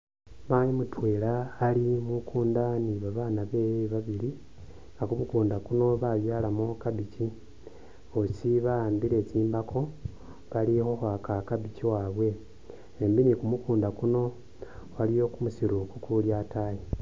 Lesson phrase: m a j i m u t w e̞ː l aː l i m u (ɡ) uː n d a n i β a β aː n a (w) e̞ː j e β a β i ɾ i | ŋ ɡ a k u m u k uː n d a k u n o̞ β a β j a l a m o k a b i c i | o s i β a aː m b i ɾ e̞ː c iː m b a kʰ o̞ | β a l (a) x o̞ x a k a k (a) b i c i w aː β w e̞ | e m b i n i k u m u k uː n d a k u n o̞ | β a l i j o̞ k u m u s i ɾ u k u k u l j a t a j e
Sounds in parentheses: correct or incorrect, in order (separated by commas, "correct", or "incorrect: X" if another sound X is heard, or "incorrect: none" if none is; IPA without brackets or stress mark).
incorrect: k, incorrect: β, incorrect: i, correct